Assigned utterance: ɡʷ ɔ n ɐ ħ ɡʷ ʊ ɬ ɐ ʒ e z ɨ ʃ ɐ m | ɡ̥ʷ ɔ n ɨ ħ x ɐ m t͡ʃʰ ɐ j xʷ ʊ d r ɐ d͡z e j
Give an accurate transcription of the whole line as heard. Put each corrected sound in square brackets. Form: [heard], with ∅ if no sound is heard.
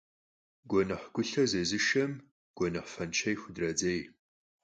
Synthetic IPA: ɡʷ ɔ n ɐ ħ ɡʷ ʊ ɬ ɐ [z] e z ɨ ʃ ɐ m | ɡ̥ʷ ɔ n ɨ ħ [f] ɐ [n] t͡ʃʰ ɐ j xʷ ʊ d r ɐ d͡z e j